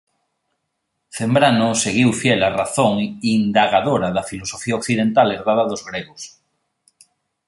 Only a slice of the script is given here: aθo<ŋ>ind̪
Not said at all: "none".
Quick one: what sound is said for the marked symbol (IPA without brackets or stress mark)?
ŋ